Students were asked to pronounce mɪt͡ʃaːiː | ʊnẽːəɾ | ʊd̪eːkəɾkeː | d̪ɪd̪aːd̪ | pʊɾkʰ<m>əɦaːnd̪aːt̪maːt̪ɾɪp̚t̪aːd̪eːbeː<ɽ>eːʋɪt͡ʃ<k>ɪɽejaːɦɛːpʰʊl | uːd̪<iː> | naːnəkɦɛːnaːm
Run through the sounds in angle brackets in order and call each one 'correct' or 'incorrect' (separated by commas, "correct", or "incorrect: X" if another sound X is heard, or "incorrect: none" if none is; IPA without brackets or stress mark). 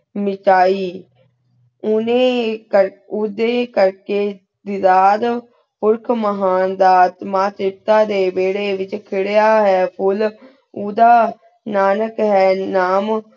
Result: correct, correct, incorrect: kʰ, incorrect: aː